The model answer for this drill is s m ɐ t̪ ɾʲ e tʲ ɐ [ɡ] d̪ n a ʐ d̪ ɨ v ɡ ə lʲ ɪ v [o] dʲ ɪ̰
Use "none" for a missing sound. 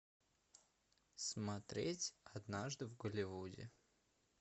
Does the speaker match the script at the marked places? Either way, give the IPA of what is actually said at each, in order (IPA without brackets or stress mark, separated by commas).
none, u